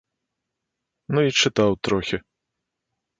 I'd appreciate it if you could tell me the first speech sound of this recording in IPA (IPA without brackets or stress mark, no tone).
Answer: n